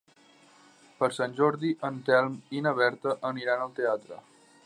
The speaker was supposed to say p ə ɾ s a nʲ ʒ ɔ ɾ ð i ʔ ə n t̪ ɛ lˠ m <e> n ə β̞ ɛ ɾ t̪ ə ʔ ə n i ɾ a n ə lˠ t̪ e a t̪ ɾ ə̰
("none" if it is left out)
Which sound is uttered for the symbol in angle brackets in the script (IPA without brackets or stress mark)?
i